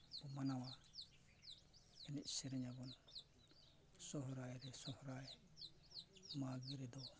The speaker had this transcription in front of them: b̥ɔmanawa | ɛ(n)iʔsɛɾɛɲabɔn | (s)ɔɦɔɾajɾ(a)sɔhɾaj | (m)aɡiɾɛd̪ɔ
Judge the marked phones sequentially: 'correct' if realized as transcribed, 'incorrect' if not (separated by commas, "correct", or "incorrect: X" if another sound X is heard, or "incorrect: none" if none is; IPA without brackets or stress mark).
correct, correct, incorrect: ɛ, correct